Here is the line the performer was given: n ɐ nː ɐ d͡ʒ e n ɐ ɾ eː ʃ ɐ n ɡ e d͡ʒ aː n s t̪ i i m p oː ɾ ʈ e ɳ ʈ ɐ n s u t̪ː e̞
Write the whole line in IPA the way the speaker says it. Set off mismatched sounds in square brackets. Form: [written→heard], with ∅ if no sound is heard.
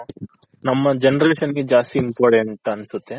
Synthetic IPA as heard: n ɐ [nː→mː] ɐ d͡ʒ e n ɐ ɾ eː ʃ ɐ n ɡ e d͡ʒ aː [n→∅] s t̪ i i m p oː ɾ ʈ e ɳ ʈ ɐ n s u t̪ː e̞